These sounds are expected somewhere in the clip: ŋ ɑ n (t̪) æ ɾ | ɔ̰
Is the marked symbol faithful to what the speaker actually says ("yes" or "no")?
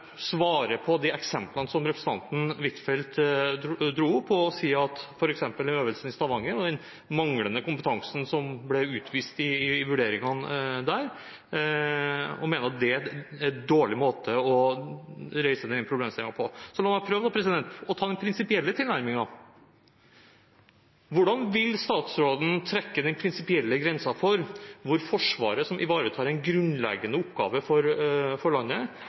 no